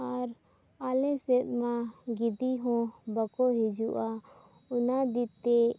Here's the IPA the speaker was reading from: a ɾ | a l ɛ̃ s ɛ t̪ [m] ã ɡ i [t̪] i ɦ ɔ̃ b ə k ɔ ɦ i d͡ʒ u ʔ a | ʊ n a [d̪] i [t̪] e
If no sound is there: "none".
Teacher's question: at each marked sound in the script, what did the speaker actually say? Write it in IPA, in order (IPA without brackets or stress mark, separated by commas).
m, d̪, d̪, t̪